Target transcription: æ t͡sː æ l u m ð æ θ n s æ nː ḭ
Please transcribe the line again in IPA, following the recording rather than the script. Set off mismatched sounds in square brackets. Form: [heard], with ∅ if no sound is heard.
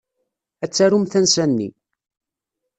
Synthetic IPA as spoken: æ t͡sː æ [ɾ] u m [θ] æ [∅] n s æ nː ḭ